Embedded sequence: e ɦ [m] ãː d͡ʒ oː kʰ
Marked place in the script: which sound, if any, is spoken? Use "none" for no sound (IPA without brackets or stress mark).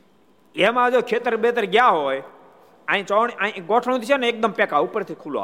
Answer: m